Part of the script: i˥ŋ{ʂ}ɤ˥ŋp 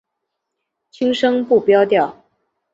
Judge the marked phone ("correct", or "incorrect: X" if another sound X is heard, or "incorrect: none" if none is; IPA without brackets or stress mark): correct